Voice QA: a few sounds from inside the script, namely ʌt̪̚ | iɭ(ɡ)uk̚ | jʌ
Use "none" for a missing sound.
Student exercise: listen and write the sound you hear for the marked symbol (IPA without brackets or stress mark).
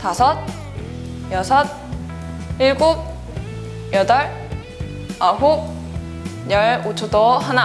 ɡ